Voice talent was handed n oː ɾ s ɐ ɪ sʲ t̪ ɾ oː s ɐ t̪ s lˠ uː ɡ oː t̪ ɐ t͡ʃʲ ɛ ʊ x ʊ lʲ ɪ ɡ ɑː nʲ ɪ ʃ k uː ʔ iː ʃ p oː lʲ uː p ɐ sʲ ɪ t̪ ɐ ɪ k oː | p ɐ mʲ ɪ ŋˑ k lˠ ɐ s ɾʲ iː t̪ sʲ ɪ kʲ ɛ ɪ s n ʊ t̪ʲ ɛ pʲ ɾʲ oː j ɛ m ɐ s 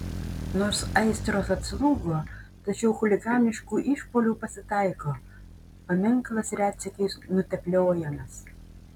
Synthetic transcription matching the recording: n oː ɾ s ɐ ɪ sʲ t̪ ɾ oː s ɐ t̪ s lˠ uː ɡ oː t̪ ɐ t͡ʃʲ ɛ ʊ x ʊ lʲ ɪ ɡ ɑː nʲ ɪ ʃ k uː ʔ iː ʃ p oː lʲ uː p ɐ sʲ ɪ t̪ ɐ ɪ k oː | p ɐ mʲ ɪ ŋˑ k lˠ ɐ s ɾʲ æː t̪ sʲ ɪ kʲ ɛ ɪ s n ʊ t̪ʲ ɛ pʲ lʲ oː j ɛ m ɐ s